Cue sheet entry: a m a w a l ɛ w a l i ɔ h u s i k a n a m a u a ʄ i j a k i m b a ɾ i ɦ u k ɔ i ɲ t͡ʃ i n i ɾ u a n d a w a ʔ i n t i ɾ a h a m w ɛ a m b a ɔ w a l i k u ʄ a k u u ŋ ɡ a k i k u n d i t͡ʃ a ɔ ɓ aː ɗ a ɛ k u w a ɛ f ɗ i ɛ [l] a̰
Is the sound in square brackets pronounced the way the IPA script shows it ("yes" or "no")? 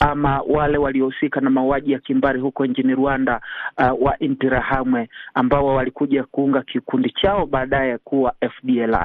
yes